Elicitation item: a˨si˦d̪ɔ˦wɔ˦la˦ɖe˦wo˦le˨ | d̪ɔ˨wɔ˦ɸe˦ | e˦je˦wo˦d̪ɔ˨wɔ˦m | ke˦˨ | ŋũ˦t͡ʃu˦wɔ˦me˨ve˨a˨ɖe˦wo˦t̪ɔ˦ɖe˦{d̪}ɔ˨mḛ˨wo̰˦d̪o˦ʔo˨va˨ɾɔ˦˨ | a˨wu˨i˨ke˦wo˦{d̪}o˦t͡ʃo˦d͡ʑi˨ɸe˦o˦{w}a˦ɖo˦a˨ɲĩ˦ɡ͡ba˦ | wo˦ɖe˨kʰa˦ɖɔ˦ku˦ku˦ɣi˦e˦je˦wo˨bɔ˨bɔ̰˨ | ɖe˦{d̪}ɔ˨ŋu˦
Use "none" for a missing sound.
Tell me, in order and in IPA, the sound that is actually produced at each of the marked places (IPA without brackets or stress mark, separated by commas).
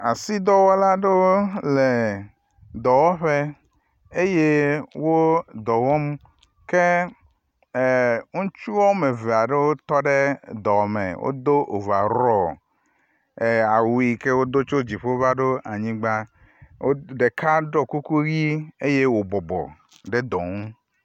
d̪, d̪, v, d̪